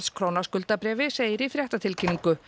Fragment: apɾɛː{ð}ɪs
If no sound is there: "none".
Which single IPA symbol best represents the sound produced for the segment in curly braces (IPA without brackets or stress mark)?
v